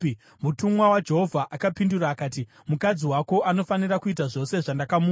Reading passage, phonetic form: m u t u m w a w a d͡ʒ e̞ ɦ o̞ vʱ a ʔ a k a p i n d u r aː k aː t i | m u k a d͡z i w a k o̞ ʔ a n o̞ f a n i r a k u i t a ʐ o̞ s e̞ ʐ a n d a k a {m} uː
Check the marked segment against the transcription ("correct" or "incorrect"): correct